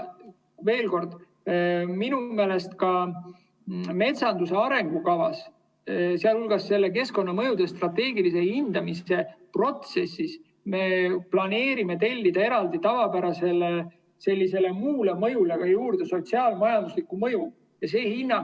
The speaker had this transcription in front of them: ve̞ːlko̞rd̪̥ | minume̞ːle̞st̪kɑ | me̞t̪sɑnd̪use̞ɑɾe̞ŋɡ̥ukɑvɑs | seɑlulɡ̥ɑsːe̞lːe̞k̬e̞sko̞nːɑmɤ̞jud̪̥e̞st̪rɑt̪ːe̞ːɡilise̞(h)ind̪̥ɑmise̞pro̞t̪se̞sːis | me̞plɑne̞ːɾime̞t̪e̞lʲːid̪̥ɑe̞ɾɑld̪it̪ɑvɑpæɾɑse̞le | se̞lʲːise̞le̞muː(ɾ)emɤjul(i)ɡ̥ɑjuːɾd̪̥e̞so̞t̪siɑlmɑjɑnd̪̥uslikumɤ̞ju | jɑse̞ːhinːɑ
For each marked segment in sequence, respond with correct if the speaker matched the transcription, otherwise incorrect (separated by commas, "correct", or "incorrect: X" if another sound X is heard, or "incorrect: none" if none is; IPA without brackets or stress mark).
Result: correct, incorrect: l, incorrect: e